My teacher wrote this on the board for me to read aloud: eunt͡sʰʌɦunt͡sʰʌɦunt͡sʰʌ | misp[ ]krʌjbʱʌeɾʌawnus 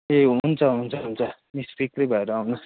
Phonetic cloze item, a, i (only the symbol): i